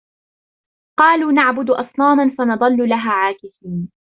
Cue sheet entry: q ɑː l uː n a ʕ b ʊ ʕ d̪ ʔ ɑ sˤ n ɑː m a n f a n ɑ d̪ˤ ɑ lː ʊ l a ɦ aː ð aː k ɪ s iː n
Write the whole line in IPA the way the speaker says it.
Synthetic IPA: q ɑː l uː n a ʕ b ʊ d̪ ʔ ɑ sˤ n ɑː m a n f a n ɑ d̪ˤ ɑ lː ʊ l a ɦ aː ʕ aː k ɪ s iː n